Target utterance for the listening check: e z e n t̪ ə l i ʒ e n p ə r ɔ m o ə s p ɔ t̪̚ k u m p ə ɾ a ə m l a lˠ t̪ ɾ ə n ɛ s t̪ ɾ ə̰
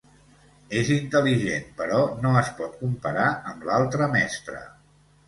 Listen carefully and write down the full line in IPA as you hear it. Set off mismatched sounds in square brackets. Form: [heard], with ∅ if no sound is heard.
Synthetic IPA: e z [i] n t̪ ə l i ʒ e n p ə [ɾ] ɔ [n] o ə s p ɔ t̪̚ k u m p ə ɾ a ə m l a lˠ t̪ ɾ ə [m] ɛ s t̪ ɾ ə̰